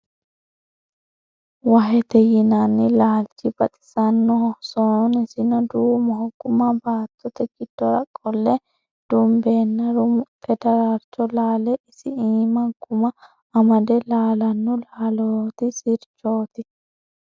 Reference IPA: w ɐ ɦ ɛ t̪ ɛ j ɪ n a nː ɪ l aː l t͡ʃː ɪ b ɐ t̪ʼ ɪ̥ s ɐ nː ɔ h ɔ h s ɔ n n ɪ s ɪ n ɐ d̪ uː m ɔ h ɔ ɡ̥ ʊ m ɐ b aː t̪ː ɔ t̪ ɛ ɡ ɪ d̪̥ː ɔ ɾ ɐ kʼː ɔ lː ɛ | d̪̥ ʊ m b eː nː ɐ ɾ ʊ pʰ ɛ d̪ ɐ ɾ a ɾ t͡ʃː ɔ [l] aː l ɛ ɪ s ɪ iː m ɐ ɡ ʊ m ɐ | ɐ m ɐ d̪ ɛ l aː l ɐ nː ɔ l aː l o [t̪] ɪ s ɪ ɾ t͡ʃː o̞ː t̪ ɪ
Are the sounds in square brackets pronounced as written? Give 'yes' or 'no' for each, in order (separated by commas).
yes, yes